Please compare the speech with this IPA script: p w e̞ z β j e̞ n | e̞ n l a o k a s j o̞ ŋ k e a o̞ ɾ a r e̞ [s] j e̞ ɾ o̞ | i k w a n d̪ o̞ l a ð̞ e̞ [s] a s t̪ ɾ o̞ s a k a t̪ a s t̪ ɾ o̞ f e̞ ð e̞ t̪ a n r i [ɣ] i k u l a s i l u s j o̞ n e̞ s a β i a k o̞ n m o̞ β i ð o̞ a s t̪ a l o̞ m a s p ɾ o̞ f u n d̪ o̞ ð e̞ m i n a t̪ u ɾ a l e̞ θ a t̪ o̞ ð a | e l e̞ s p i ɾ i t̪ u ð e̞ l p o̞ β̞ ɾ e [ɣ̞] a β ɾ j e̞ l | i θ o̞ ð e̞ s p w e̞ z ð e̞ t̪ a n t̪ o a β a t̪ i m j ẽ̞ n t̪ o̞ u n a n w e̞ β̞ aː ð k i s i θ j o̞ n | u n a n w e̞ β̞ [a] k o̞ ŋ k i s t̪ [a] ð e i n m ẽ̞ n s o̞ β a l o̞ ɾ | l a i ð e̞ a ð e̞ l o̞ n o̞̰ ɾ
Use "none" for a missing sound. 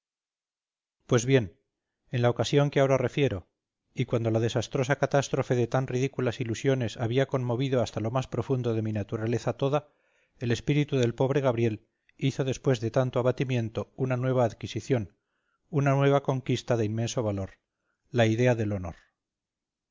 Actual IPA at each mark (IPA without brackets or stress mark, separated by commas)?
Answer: f, s, ð, ɣ̞, a, a